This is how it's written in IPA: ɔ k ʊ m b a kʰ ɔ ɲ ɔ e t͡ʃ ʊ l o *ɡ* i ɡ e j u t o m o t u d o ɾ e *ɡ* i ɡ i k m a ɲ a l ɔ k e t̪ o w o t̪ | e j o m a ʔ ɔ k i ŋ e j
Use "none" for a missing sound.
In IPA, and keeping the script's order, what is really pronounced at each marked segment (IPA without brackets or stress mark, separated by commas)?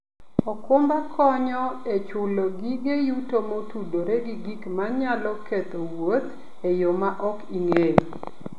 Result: ɡ, ɡ